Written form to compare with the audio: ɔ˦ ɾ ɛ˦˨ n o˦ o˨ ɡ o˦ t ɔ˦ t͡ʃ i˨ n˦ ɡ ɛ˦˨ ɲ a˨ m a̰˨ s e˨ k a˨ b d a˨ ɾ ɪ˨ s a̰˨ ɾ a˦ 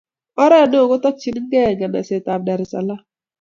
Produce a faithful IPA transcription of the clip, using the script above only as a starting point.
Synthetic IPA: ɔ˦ ɾ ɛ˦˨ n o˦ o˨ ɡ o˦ t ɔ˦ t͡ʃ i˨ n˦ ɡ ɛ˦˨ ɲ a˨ n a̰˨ s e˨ t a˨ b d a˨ ɾ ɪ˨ s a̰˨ l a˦